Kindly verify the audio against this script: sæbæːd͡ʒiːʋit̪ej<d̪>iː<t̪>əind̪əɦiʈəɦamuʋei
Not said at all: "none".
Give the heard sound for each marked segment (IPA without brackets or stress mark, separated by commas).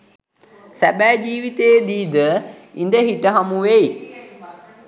d̪, d̪